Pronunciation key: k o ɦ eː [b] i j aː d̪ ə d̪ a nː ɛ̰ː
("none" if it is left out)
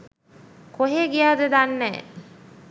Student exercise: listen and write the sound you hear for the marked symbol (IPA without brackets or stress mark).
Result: ɡ